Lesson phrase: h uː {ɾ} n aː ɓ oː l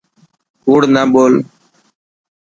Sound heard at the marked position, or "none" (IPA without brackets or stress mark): ɽ